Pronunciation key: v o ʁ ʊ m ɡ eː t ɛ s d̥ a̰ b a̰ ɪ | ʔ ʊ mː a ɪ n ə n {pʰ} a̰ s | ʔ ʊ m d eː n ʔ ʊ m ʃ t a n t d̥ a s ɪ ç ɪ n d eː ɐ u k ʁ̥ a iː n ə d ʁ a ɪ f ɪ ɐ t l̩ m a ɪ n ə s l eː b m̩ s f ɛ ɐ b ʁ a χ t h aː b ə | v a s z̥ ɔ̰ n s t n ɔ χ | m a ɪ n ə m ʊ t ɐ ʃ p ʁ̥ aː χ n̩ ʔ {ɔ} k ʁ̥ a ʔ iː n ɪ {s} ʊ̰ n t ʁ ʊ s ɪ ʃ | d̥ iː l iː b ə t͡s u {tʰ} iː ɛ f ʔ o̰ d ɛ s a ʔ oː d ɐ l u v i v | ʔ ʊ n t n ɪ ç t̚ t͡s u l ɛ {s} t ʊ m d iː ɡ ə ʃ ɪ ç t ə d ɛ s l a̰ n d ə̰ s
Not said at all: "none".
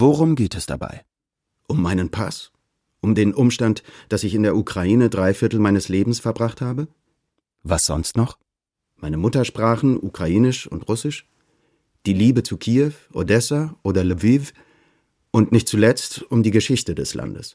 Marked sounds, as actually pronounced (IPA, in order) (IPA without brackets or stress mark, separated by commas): pʰ, u, ʃ, kʰ, t͡s